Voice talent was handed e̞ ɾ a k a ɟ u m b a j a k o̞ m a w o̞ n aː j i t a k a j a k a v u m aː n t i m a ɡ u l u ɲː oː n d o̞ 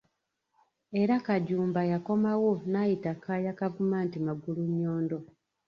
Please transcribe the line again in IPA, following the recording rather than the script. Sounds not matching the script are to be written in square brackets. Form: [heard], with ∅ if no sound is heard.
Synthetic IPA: e̞ ɾ a k a ɟ [uː] m b a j a k o̞ m a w o̞ n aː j i t a k a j a k a v u m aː n t i m a ɡ u l u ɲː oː n d o̞